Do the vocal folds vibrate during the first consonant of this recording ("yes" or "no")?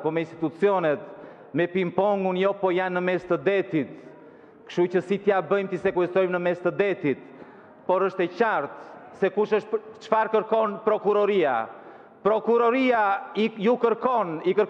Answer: no